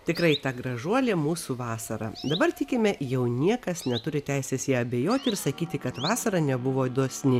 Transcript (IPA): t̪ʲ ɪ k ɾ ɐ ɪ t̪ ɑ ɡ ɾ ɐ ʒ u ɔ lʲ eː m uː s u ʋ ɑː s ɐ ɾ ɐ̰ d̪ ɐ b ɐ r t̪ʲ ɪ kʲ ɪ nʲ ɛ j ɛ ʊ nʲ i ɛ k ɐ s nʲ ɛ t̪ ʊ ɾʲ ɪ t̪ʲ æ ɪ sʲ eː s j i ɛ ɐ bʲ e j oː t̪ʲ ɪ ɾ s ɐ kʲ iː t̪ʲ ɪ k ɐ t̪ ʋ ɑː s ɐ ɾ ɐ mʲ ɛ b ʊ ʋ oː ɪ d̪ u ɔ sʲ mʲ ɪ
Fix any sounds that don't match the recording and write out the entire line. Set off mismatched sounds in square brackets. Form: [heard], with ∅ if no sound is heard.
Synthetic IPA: t̪ʲ ɪ k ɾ ɐ ɪ t̪ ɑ ɡ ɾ ɐ ʒ u ɔ lʲ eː m uː s u ʋ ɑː s ɐ ɾ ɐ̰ d̪ ɐ b ɐ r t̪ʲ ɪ kʲ ɪ [mʲ] ɛ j ɛ ʊ nʲ i ɛ k ɐ s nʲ ɛ t̪ ʊ ɾʲ ɪ t̪ʲ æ ɪ sʲ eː s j i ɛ ɐ bʲ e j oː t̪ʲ ɪ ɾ s ɐ kʲ iː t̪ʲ ɪ k ɐ t̪ ʋ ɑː s ɐ ɾ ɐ [nʲ] ɛ b ʊ ʋ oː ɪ d̪ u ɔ sʲ [nʲ] ɪ

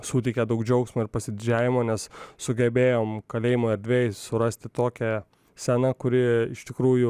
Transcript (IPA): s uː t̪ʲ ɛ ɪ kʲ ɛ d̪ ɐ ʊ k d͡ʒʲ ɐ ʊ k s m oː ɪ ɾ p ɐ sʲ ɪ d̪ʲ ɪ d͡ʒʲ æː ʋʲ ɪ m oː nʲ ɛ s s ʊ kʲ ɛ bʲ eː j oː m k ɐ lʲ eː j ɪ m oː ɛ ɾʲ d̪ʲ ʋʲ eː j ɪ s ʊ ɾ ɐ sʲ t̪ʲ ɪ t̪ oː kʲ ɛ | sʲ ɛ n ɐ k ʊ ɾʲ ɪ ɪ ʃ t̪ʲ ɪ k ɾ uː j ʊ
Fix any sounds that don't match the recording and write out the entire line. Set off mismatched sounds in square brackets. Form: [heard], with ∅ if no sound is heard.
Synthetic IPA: s uː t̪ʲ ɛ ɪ kʲ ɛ d̪ ɐ ʊ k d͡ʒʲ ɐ ʊ k s m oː ɪ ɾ p ɐ sʲ ɪ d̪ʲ ɪ d͡ʒʲ æː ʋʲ ɪ m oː nʲ ɛ s s ʊ [ɡʲ] ɛ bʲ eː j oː m k ɐ lʲ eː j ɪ m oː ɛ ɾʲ d̪ʲ ʋʲ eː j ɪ s ʊ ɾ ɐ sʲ t̪ʲ ɪ t̪ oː kʲ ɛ | sʲ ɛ n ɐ k ʊ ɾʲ ɪ ɪ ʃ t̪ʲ ɪ k ɾ uː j ʊ

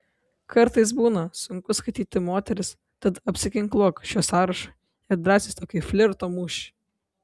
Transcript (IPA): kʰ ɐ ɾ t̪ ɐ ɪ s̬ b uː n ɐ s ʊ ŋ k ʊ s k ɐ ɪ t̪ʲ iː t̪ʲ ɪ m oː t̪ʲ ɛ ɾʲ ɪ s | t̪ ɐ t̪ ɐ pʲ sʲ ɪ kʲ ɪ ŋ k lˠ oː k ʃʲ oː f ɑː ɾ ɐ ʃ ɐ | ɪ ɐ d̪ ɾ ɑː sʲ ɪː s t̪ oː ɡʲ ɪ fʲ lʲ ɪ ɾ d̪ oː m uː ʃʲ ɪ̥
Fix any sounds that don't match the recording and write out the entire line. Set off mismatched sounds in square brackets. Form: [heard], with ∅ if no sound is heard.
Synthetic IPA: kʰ ɐ ɾ t̪ ɐ ɪ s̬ b uː n ɐ s ʊ ŋ k ʊ s k ɐ ɪ t̪ʲ iː t̪ʲ ɪ m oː t̪ʲ ɛ ɾʲ ɪ s | t̪ ɐ t̪ ɐ pʲ sʲ ɪ kʲ ɪ ŋ k lˠ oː k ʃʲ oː [s] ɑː ɾ ɐ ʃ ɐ | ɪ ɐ d̪ ɾ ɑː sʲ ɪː s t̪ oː [kʲ] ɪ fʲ lʲ ɪ ɾ [t̪] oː m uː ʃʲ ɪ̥

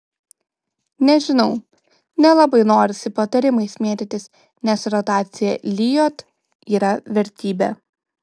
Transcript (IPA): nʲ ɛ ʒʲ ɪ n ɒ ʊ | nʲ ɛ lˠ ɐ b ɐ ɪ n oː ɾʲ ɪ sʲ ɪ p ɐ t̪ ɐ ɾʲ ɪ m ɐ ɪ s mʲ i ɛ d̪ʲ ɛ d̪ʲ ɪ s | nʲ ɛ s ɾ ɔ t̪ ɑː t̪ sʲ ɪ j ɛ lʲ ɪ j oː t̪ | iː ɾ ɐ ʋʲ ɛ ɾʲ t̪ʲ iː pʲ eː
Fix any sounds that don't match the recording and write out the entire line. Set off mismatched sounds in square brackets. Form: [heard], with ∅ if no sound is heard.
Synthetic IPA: nʲ ɛ ʒʲ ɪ n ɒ ʊ | nʲ ɛ lˠ ɐ b ɐ ɪ n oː ɾʲ ɪ sʲ ɪ p ɐ t̪ ɐ ɾʲ ɪ m ɐ ɪ s mʲ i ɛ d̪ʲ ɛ [t̪ʲ] ɪ s | nʲ ɛ s ɾ ɔ t̪ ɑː t̪ sʲ ɪ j ɛ lʲ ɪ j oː t̪ | iː ɾ ɐ ʋʲ ɛ ɾʲ t̪ʲ iː [bʲ] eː

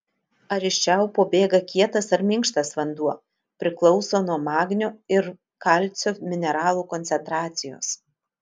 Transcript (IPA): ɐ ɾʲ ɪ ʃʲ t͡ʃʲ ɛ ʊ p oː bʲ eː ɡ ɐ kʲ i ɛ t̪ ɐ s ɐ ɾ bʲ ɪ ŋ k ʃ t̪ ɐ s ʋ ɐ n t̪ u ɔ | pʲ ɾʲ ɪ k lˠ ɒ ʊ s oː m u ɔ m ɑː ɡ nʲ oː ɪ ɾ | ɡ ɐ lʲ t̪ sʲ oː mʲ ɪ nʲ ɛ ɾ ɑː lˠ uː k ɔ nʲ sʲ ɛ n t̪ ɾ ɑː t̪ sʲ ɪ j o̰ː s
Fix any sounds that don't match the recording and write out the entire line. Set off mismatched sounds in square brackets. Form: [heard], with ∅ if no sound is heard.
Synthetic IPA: ɐ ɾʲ ɪ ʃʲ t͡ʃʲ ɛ ʊ p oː bʲ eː ɡ ɐ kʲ i ɛ t̪ ɐ s ɐ ɾ [mʲ] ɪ ŋ k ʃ t̪ ɐ s ʋ ɐ n [d̪] u ɔ | pʲ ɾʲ ɪ k lˠ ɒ ʊ s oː [n] u ɔ m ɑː ɡ nʲ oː ɪ ɾ | [k] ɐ lʲ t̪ sʲ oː mʲ ɪ nʲ ɛ ɾ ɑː lˠ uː k ɔ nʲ sʲ ɛ n t̪ ɾ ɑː t̪ sʲ ɪ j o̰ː s

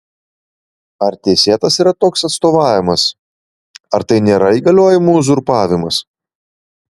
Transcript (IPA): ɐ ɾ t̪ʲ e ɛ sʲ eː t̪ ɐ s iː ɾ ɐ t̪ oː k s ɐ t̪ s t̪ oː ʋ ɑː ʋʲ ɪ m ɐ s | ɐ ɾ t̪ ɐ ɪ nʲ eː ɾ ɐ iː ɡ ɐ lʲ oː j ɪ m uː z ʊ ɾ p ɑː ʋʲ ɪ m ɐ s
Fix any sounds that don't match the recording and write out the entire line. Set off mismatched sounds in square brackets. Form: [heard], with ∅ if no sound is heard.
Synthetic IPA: ɐ ɾ t̪ʲ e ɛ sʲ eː t̪ ɐ s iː ɾ ɐ t̪ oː k s ɐ t̪ s t̪ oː ʋ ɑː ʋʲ ɪ m ɐ s | ɐ ɾ t̪ ɐ ɪ nʲ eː ɾ ɐ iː ɡ ɐ lʲ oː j ɪ m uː z ʊ ɾ p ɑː ʋʲ ɪ m ɐ s

